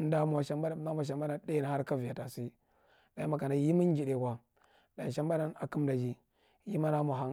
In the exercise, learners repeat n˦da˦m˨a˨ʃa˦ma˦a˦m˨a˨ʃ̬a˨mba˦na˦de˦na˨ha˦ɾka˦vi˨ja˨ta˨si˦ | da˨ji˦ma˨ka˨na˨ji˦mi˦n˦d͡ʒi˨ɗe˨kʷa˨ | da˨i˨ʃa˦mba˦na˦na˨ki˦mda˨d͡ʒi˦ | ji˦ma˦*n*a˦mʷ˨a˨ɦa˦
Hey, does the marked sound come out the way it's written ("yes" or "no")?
yes